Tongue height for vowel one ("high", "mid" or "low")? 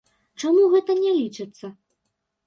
low